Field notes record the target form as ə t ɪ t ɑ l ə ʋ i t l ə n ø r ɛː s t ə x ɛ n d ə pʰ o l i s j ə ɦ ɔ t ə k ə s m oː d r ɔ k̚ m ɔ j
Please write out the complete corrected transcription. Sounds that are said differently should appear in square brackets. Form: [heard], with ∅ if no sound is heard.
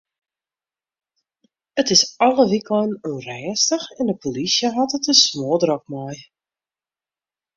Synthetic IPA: ə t ɪ [s] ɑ l ə ʋ i [k] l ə n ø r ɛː s t ə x ɛ n d ə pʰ o l i s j ə ɦ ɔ t ə [t] ə s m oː d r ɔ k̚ m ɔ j